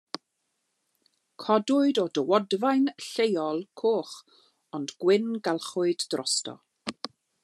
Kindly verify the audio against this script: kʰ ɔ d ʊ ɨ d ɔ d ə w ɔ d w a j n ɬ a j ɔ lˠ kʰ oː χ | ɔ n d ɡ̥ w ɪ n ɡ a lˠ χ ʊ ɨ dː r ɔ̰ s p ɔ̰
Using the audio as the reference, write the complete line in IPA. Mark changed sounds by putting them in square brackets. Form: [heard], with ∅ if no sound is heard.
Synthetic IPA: kʰ ɔ d ʊ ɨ d ɔ d ə w ɔ d [v] a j n ɬ [e] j ɔ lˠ kʰ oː χ | ɔ n d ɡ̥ w ɪ n ɡ a lˠ χ ʊ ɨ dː r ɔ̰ s [t] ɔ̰